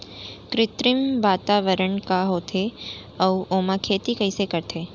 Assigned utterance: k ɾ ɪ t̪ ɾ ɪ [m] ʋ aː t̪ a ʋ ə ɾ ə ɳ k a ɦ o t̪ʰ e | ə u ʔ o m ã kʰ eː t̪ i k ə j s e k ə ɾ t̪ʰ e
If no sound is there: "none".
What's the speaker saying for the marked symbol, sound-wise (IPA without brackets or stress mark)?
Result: m